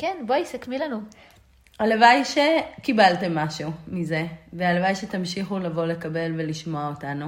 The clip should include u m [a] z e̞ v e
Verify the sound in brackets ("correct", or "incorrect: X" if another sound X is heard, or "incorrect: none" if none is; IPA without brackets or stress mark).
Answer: incorrect: i